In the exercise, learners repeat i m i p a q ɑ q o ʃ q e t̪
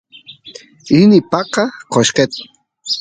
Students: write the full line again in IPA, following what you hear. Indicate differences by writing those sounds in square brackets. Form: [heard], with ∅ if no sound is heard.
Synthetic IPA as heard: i [n] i p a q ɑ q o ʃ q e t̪